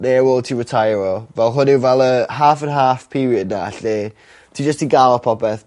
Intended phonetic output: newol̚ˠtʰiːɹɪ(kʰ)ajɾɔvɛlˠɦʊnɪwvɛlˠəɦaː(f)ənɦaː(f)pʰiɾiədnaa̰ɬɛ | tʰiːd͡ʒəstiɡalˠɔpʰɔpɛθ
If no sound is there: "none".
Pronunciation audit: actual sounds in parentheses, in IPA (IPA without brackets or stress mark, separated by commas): tʰ, f, f